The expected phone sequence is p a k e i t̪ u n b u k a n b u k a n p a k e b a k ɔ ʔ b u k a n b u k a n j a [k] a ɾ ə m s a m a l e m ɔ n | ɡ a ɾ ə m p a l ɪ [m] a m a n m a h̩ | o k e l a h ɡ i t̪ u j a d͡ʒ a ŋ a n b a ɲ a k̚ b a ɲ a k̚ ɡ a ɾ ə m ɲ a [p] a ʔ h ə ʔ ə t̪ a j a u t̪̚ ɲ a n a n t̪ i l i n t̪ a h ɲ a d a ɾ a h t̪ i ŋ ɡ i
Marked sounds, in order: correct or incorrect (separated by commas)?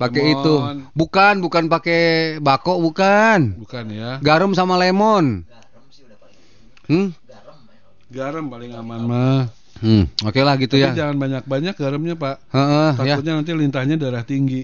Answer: incorrect, incorrect, correct